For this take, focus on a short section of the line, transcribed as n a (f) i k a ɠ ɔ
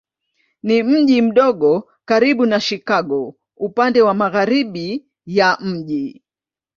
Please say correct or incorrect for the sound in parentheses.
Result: incorrect